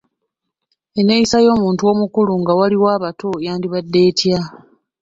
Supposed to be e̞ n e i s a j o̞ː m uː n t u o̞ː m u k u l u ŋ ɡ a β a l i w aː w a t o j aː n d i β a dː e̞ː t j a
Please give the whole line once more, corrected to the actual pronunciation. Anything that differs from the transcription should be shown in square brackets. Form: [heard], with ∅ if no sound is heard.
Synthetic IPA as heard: e̞ n e i s a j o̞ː m uː n t u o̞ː m u k u l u ŋ ɡ a [w] a l i w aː [β] a t o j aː n d i β a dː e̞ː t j a